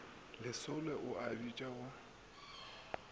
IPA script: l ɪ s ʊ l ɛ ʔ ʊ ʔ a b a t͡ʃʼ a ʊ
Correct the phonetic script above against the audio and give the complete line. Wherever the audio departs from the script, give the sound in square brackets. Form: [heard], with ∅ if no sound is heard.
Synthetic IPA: l ɪ s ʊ l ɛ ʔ ʊ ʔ a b [i] t͡ʃʼ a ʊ